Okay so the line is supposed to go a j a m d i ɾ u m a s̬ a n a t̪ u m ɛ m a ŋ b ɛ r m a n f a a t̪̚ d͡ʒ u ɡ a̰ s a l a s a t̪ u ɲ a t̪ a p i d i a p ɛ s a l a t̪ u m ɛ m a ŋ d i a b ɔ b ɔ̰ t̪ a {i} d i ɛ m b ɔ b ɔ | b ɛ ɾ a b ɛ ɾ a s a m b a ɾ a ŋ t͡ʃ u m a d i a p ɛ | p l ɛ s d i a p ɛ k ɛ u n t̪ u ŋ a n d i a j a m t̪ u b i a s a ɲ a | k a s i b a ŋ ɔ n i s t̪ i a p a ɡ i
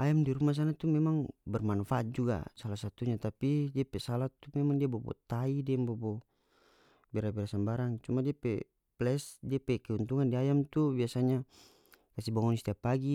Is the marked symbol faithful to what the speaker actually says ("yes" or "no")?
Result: yes